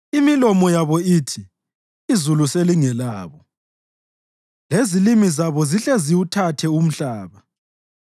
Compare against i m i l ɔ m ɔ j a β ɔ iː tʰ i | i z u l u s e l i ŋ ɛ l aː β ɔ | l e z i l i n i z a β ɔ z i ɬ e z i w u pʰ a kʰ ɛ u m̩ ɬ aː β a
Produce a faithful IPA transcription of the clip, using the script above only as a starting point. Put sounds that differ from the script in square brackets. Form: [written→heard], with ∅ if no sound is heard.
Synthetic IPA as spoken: i m i l ɔ m ɔ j a β ɔ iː tʰ i | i z u l u s e l i ŋ ɛ l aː β ɔ | l e z i l i [n→m] i z a β ɔ z i ɬ e z i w u [pʰ→tʰ] a [kʰ→tʰ] ɛ u m̩ ɬ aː β a